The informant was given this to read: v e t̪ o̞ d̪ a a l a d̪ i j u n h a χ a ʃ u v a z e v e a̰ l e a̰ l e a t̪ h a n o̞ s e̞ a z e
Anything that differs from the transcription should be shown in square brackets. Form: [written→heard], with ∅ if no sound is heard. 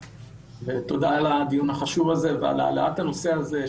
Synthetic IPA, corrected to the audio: v e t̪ o̞ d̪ a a l a d̪ i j u n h a χ a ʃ u v a z e v e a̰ l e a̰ l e a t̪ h a n o̞ s e̞ a z e